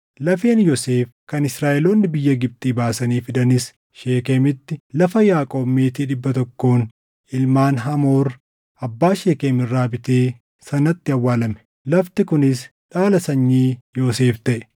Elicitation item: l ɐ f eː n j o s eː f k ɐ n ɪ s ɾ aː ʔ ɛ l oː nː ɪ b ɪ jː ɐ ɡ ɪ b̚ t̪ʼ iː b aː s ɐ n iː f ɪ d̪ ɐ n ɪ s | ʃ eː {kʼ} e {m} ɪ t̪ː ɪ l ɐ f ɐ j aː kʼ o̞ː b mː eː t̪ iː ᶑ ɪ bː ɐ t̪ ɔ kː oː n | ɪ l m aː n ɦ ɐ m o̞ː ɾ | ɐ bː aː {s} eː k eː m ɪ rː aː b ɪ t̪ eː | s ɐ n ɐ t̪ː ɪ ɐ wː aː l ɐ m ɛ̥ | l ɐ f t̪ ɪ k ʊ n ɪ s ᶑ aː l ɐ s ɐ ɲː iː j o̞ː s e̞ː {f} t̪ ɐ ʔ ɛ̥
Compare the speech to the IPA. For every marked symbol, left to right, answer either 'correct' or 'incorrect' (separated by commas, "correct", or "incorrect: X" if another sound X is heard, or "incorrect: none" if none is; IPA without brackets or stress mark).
incorrect: k, correct, incorrect: ʃ, correct